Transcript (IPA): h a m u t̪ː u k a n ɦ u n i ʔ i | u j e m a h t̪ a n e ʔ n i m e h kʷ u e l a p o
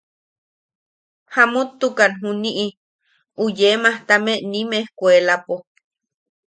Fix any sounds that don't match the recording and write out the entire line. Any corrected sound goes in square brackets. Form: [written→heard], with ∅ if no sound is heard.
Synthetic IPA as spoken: h a m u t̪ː u k a n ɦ u n i ʔ i | u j e m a h t̪ a [n→m] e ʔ n i m e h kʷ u e l a p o